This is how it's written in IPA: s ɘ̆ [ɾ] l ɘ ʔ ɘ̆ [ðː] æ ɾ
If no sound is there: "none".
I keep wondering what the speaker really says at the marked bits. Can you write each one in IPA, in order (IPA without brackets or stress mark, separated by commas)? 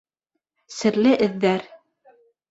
ɾ, ðː